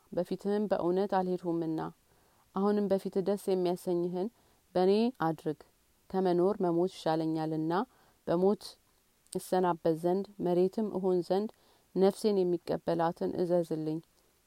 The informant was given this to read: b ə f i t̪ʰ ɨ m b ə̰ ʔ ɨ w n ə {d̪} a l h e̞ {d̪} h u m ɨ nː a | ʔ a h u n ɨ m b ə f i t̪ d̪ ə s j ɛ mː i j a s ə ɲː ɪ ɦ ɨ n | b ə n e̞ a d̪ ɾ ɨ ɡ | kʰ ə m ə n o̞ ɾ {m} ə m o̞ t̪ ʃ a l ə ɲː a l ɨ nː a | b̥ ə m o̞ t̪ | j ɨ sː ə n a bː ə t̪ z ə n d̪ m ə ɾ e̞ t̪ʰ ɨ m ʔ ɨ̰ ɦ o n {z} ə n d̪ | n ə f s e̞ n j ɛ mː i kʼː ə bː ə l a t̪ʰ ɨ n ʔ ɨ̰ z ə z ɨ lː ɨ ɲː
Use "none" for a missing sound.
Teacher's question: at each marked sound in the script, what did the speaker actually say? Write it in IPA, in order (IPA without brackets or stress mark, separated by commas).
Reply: t̪, d̪, m, z